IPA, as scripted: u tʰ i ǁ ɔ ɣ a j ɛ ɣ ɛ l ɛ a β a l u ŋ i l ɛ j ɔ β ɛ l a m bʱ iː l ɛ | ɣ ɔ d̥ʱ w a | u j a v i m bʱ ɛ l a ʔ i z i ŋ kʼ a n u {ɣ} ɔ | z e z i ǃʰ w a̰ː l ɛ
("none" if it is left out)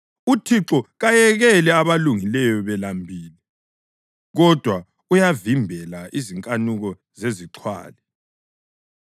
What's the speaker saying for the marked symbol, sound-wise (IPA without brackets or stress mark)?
ɣ